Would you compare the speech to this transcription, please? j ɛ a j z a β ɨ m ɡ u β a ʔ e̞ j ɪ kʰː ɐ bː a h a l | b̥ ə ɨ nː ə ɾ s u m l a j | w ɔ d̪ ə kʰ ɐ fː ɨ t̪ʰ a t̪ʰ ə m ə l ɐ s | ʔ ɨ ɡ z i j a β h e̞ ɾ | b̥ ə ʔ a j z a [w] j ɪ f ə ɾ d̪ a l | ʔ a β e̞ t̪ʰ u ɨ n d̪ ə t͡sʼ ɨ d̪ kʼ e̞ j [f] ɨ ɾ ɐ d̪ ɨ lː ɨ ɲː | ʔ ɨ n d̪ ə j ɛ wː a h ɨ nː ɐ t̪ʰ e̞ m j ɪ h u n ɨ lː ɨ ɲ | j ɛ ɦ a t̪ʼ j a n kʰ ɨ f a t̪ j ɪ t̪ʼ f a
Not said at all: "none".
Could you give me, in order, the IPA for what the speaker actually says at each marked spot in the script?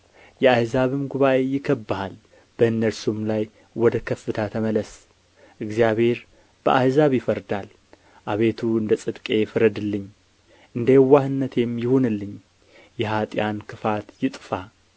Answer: β, f

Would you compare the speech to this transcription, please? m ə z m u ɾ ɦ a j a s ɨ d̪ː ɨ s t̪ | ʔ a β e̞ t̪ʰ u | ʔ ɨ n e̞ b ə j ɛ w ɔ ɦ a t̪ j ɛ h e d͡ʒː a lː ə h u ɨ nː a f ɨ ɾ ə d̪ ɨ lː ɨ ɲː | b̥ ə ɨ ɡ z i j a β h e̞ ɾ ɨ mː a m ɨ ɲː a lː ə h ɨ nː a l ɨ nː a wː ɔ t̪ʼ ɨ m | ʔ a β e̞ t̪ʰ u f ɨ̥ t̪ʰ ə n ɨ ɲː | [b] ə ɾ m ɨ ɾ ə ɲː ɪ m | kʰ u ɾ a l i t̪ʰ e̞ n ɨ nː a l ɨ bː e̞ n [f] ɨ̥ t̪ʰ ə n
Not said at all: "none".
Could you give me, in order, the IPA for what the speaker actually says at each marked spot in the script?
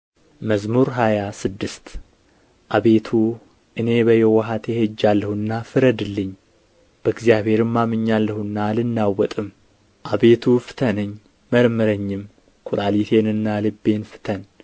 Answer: m, f

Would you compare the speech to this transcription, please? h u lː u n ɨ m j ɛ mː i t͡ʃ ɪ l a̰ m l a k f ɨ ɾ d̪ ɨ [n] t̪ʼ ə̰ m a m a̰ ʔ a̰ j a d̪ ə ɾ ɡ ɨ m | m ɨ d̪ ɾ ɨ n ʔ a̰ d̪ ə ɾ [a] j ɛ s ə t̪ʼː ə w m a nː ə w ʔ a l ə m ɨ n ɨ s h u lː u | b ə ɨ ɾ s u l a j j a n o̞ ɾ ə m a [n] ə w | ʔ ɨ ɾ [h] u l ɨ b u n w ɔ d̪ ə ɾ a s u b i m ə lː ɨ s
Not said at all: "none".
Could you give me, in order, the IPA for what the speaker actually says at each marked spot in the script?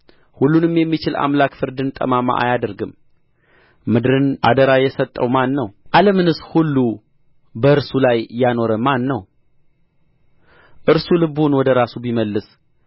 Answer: n, a, nː, s

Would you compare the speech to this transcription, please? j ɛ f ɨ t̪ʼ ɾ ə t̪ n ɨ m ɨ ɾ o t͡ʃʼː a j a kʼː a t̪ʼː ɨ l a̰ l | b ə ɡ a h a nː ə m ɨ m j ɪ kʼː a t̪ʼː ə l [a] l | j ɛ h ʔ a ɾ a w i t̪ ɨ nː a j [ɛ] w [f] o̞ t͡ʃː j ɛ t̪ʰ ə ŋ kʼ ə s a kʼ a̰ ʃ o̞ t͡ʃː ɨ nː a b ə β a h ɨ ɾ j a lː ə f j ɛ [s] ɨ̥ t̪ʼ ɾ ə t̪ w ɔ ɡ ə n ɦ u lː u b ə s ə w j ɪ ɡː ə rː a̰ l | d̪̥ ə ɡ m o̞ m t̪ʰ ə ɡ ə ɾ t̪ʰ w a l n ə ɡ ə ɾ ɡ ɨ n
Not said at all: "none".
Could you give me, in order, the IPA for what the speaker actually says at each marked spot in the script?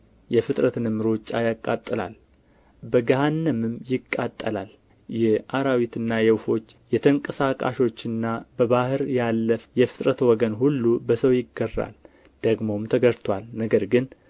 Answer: a, ɛ, f, f

